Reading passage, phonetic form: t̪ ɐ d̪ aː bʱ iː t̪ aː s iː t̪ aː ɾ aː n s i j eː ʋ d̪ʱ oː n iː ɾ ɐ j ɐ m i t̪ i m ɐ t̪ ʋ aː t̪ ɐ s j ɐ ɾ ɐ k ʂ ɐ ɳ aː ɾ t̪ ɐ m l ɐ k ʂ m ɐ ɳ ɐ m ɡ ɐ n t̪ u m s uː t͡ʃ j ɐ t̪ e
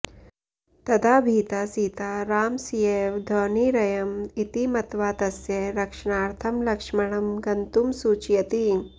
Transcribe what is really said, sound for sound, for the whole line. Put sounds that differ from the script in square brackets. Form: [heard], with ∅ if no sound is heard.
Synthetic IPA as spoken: t̪ ɐ d̪ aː bʱ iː t̪ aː s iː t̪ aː ɾ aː [m] s i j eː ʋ d̪ʱ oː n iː ɾ ɐ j ɐ m i t̪ i m ɐ t̪ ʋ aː t̪ ɐ s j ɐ ɾ ɐ k ʂ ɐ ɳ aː ɾ [t̪ʰ] ɐ m l ɐ k ʂ m ɐ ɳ ɐ m ɡ ɐ n t̪ u m s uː t͡ʃ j ɐ t̪ [i]